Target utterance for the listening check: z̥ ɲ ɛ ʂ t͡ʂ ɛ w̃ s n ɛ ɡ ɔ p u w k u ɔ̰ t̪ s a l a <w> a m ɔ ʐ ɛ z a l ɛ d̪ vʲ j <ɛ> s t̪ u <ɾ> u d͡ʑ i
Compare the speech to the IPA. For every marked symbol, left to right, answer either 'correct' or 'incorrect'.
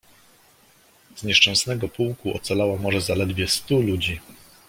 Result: correct, correct, incorrect

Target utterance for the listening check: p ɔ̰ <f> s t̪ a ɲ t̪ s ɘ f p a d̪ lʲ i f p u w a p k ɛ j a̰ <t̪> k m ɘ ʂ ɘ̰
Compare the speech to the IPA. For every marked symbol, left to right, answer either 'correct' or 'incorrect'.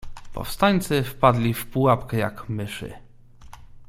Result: correct, incorrect

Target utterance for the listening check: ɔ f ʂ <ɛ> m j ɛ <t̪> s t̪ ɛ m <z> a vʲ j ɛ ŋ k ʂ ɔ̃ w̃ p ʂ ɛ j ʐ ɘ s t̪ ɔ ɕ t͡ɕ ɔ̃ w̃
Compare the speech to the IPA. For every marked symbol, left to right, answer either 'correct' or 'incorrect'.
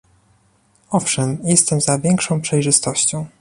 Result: correct, incorrect, correct

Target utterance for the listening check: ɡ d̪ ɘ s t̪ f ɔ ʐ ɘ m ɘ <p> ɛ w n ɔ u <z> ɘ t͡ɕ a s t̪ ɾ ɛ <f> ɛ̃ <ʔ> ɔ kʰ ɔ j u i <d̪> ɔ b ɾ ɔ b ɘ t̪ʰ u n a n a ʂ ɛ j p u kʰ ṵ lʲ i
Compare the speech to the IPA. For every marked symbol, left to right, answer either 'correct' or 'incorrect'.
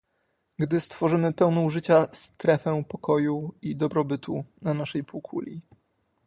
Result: correct, incorrect, correct, incorrect, correct

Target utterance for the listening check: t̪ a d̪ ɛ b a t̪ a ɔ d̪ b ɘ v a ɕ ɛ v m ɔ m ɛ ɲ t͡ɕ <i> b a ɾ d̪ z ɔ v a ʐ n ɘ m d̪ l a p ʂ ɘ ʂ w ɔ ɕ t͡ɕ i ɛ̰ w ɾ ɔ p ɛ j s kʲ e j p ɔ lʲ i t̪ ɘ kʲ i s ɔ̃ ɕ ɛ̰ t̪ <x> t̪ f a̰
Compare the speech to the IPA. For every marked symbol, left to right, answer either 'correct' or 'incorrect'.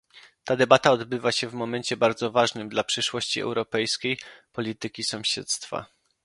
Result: incorrect, incorrect

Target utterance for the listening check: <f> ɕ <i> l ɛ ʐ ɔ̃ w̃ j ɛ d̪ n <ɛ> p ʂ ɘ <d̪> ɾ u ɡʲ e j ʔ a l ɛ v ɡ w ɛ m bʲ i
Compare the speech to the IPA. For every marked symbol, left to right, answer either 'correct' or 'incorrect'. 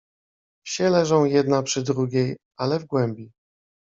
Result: correct, incorrect, incorrect, correct

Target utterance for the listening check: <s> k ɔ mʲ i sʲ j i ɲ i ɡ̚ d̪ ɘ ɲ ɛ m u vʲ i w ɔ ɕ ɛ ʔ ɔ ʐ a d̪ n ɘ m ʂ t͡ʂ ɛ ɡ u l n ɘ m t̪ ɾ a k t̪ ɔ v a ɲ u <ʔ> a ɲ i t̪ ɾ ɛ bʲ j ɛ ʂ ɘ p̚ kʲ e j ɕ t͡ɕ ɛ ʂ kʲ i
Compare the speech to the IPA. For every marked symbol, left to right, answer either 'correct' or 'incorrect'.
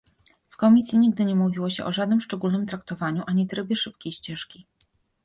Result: incorrect, correct

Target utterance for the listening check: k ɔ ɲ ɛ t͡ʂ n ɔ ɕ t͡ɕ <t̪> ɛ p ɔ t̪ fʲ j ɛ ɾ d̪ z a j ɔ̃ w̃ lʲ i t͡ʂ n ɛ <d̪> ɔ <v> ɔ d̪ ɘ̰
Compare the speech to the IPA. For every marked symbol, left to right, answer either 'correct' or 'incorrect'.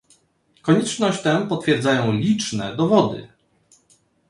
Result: correct, correct, correct

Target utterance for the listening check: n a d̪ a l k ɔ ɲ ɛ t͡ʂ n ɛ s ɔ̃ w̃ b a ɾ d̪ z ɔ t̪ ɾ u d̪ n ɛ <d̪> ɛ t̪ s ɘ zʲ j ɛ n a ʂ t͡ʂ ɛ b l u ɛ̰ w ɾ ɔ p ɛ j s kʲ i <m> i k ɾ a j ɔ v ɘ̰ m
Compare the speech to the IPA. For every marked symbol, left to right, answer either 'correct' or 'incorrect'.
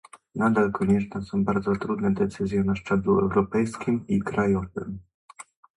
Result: correct, correct

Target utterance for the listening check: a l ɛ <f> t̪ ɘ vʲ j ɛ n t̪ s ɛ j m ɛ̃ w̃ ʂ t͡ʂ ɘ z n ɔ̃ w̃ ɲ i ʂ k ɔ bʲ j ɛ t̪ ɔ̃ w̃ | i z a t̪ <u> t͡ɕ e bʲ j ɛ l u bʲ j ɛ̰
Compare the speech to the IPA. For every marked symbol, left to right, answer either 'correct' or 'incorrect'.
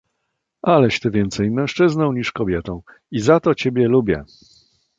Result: incorrect, incorrect

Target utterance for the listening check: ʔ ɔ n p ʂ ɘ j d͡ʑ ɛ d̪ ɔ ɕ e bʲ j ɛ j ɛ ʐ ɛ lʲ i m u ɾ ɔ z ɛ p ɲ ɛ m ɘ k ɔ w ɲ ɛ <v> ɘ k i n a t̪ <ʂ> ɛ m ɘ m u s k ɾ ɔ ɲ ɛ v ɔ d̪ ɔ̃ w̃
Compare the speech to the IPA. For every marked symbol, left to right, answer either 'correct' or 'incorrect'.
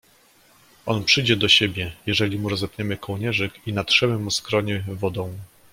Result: incorrect, correct

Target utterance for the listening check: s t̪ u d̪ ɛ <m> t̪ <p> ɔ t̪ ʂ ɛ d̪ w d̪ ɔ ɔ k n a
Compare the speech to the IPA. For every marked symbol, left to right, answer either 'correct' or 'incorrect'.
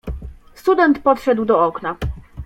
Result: incorrect, correct

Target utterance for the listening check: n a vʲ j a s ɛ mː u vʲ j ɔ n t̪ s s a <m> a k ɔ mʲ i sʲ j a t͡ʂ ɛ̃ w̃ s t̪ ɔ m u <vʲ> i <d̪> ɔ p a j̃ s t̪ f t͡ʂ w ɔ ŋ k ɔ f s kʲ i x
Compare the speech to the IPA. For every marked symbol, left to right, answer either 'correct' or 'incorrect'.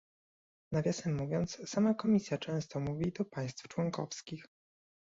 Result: correct, correct, correct

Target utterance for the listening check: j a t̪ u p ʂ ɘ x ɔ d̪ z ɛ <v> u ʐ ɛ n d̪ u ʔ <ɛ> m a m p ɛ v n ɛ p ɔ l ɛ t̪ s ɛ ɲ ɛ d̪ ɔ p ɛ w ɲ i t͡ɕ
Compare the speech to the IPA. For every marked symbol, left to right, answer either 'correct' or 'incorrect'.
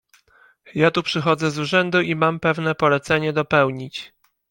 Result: incorrect, incorrect

